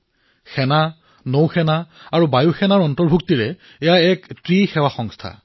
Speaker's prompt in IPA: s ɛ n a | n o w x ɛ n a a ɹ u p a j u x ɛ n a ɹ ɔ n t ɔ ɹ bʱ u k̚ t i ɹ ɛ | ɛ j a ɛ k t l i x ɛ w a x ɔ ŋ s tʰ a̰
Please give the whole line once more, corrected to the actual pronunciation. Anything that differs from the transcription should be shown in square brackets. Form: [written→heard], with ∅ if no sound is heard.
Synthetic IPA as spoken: [s→x] ɛ n a | n o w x ɛ n a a ɹ u [p→b] a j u x ɛ n a ɹ ɔ n t ɔ ɹ bʱ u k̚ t i ɹ ɛ | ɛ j a ɛ k t [l→ɹ] i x ɛ w a x ɔ ŋ s tʰ a̰